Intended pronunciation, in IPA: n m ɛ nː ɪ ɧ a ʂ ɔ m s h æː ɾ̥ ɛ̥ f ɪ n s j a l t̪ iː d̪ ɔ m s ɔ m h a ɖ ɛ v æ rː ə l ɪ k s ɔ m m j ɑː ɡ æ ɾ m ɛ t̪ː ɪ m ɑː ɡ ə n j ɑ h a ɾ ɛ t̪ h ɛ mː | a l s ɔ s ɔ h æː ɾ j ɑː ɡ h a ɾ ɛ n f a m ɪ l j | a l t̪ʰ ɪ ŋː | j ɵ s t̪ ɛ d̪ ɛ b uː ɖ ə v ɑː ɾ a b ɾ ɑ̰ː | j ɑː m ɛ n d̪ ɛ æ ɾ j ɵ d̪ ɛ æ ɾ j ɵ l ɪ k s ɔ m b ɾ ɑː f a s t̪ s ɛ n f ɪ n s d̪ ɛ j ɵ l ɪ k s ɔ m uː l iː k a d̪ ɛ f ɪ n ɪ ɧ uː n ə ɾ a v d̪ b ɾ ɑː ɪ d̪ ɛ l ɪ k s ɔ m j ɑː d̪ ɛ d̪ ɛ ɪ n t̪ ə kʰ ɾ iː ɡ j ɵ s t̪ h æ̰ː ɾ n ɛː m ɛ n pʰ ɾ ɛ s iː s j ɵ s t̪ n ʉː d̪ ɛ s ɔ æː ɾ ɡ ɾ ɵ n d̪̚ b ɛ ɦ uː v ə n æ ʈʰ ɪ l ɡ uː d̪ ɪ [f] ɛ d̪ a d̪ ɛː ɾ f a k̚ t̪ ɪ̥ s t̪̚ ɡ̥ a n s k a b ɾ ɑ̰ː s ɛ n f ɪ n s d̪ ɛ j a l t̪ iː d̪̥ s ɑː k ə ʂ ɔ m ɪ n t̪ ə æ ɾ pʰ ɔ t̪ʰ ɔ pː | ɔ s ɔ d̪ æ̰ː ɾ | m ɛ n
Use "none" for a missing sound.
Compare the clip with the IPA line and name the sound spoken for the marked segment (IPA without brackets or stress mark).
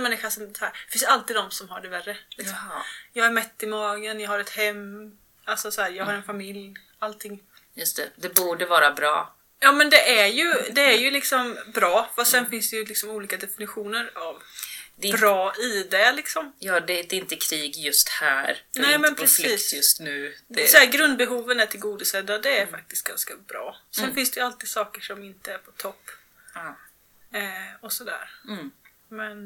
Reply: s